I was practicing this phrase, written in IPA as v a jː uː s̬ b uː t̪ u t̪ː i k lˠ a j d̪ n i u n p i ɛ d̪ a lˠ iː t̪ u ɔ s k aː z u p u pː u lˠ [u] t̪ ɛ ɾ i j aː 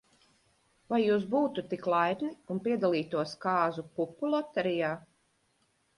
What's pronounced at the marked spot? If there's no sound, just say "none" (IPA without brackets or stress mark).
ɔ